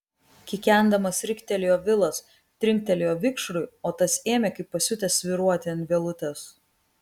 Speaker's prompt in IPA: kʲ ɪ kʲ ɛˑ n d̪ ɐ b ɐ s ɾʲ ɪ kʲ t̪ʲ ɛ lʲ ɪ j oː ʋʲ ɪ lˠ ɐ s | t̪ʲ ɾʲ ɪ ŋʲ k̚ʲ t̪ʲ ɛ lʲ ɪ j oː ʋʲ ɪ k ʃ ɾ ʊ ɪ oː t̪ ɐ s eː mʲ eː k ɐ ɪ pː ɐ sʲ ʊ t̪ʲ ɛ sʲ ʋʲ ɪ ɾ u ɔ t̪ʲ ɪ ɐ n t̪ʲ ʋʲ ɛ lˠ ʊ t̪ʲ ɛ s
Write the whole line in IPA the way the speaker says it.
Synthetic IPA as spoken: kʲ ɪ kʲ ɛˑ n d̪ ɐ m ɐ s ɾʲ ɪ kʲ t̪ʲ ɛ lʲ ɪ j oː ʋʲ ɪ lˠ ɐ s | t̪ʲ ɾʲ ɪ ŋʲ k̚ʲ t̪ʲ ɛ lʲ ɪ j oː ʋʲ ɪ k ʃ ɾ ʊ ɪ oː t̪ ɐ s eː mʲ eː k ɐ ɪ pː ɐ sʲ ʊ t̪ʲ ɛ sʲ ʋʲ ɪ ɾ u ɔ t̪ʲ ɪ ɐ n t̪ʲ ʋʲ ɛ lˠ ʊ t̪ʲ ɛ s